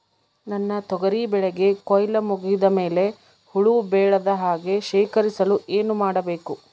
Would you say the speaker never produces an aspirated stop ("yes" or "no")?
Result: yes